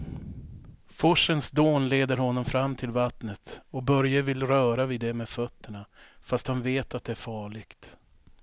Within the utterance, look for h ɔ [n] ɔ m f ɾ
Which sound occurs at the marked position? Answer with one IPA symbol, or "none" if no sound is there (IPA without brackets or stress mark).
nː